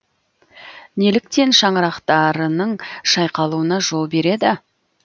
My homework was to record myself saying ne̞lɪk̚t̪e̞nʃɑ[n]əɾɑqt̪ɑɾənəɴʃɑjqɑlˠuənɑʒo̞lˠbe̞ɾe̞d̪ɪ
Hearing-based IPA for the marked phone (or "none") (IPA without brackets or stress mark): ɴ